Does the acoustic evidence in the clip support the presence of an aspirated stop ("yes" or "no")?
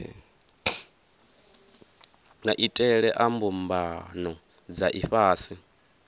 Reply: no